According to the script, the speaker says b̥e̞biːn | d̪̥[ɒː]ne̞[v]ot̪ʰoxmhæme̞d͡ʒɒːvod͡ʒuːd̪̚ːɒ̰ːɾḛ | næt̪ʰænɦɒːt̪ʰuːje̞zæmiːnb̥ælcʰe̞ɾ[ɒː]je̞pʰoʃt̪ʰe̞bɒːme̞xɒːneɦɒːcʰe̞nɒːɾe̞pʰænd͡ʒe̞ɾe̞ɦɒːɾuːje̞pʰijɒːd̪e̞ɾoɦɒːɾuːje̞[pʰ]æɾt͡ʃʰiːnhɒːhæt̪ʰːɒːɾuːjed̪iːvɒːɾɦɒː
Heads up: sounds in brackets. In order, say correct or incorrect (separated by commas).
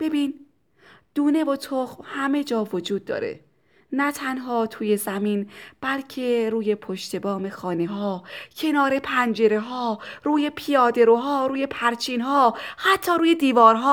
incorrect, correct, incorrect, correct